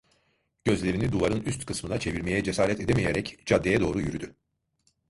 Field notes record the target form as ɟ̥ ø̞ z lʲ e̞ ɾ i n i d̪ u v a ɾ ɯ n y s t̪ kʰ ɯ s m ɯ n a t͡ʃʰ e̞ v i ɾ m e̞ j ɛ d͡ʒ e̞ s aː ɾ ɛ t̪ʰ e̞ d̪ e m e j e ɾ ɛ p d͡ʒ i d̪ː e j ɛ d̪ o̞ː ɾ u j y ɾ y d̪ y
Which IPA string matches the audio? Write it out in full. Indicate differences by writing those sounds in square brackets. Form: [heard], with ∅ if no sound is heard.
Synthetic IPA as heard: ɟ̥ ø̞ z lʲ e̞ ɾ i n i d̪ u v a ɾ ɯ n y s t̪ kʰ ɯ s m ɯ n a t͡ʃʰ e̞ v i ɾ m e̞ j ɛ d͡ʒ e̞ s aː ɾ ɛ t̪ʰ e̞ d̪ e m e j e ɾ ɛ [c] d͡ʒ [a] d̪ː e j ɛ d̪ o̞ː ɾ u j y ɾ y d̪ y